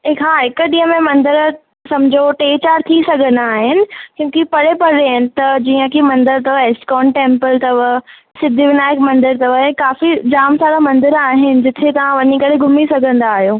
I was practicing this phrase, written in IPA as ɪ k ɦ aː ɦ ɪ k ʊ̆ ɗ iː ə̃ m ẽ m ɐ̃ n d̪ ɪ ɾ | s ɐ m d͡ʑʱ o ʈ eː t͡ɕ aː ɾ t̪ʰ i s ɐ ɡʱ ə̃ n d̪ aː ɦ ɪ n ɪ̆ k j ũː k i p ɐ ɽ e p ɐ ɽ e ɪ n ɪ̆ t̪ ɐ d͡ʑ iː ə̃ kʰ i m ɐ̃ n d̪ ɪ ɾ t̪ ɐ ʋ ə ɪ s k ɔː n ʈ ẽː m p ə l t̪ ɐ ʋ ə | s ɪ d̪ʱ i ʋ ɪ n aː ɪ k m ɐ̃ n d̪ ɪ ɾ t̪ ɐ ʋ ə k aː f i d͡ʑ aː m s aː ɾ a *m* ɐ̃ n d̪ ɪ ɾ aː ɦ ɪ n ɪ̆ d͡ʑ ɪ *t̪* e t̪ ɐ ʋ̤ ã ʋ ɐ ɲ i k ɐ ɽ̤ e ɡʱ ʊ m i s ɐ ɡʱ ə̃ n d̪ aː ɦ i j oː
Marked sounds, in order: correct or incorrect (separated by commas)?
correct, incorrect